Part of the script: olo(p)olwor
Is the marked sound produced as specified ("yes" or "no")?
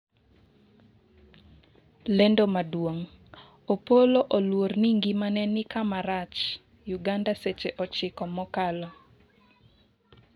no